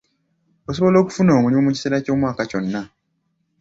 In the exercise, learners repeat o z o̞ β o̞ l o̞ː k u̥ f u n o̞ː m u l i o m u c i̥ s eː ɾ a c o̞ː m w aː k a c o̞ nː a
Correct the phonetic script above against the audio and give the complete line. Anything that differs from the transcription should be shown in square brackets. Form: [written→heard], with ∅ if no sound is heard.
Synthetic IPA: o [z→s] o̞ β o̞ l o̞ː k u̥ f u n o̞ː m u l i o m u c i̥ s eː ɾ a c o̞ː m w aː k a c o̞ nː a